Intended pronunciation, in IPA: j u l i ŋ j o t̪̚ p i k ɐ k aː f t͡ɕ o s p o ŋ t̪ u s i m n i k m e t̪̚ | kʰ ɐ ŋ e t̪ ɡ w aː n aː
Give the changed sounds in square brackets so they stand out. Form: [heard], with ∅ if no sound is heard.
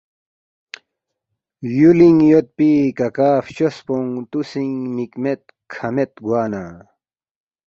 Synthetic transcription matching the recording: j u l i ŋ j o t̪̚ p i k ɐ k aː f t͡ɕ o s p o ŋ t̪ u s i [ŋ] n i k m e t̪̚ | kʰ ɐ [m] e t̪ ɡ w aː n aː